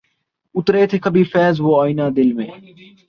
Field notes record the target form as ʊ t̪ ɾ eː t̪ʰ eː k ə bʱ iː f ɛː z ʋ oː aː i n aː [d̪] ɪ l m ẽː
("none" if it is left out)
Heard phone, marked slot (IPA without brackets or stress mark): d̪